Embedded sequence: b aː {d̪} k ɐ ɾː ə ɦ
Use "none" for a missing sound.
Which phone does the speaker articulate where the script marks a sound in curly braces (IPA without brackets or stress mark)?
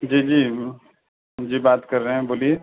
t̪